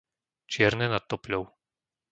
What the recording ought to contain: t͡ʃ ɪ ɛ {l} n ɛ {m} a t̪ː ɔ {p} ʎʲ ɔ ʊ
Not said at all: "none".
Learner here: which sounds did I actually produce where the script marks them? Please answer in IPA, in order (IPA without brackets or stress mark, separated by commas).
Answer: ɾ, n, p